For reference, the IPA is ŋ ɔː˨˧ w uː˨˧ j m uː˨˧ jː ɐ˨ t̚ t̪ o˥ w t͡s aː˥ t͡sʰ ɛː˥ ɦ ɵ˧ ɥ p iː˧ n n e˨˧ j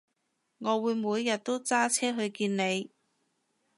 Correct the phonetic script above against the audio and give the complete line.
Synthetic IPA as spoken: ŋ ɔː˨˧ w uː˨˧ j m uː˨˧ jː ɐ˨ t̚ t̪ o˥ w t͡s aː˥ t͡sʰ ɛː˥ ɦ ɵ˧ ɥ k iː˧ n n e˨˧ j

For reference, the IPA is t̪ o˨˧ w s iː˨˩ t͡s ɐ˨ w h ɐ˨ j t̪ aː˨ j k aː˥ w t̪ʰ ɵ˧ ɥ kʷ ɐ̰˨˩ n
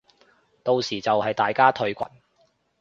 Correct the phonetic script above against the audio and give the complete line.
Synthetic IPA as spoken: t̪ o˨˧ w s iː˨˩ t͡s ɐ˨ w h ɐ˨ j t̪ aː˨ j k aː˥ t̪ʰ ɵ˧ ɥ kʷ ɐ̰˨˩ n

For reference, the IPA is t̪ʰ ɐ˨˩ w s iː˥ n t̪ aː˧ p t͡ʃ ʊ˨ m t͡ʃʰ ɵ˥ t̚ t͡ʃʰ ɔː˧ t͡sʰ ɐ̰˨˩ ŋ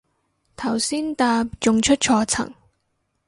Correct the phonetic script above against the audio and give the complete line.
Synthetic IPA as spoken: t̪ʰ ɐ˨˩ w s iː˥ n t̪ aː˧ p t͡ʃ ʊ˨ ŋ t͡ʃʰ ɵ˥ t̚ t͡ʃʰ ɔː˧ t͡sʰ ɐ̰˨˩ ŋ

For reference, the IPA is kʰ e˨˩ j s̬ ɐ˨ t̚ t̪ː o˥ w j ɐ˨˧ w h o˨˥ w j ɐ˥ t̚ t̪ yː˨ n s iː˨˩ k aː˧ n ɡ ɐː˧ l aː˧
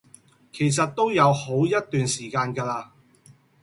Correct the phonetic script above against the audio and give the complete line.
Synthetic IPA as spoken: kʰ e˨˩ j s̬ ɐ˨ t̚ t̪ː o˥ w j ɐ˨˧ w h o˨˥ w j ɐ˥ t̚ t̪ yː˨ n s iː˨˩ k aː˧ n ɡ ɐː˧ l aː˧

